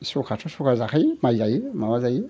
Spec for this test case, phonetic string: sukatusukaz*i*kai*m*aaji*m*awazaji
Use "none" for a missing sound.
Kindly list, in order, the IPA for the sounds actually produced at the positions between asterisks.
a, m, m

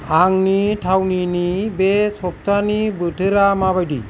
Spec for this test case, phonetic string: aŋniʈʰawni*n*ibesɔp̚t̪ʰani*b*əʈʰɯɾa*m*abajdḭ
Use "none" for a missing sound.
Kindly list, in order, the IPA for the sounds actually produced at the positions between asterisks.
n, b, m

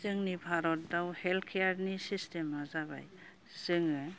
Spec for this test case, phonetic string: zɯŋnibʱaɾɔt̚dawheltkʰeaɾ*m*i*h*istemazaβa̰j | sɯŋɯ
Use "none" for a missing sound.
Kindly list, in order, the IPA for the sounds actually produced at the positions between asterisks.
n, s

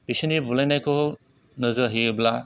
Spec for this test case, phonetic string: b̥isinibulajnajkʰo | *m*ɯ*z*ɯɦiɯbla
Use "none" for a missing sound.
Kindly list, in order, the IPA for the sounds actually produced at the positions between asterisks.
n, z

